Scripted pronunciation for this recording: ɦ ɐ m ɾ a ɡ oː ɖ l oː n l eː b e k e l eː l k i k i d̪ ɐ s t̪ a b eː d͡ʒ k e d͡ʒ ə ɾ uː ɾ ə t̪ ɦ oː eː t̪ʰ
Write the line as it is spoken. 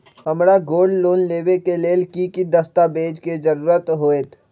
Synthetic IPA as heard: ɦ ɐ m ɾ a ɡ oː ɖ l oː n l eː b e k e l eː l k i k i d̪ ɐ s t̪ a b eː d͡ʒ k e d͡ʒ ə ɾ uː ɾ ə t̪ ɦ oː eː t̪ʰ